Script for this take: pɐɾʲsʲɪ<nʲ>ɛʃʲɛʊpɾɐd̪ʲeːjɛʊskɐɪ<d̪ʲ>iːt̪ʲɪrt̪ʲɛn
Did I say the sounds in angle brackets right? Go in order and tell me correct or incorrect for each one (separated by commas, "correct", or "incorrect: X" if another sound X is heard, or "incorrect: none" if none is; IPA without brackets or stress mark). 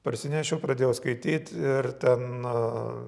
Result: correct, incorrect: t̪ʲ